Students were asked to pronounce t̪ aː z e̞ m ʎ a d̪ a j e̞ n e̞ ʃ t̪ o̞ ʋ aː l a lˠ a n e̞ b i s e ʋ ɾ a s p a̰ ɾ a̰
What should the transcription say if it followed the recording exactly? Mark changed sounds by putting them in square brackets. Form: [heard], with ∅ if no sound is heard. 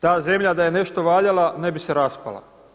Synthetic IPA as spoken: t̪ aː z e̞ m ʎ a d̪ a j e̞ n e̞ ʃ t̪ o̞ ʋ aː [ʎ] a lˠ a n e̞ b i s e [∅] ɾ a s p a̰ [l] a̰